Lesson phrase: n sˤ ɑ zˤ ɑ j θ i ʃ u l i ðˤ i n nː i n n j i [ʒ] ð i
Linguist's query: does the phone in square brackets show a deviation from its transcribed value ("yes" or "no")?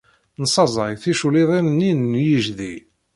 no